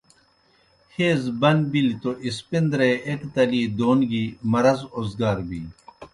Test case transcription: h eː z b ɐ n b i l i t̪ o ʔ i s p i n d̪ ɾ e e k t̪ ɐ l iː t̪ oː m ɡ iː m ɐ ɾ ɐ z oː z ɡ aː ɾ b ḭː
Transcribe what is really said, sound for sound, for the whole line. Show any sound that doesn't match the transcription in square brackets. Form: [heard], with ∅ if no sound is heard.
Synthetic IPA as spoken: h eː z b ɐ n b i l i t̪ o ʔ i s p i n d̪ ɾ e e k t̪ ɐ l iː [d̪] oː [n] ɡ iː m ɐ ɾ ɐ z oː z ɡ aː ɾ b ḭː